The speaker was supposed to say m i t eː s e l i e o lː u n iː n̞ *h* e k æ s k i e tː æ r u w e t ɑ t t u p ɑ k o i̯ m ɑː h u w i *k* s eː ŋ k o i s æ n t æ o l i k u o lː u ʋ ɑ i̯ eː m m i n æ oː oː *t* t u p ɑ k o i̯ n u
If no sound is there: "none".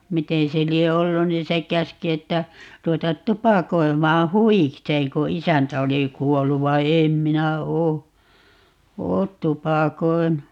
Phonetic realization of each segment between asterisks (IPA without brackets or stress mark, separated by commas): s, k, t